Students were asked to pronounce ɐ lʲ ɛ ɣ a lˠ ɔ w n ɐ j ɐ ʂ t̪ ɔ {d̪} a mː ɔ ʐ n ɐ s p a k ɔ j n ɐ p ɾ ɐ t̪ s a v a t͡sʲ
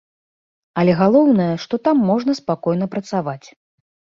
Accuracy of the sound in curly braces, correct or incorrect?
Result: incorrect